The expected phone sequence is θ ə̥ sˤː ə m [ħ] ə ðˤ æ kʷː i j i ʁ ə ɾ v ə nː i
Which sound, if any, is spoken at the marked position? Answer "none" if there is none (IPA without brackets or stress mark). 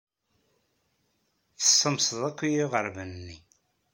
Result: s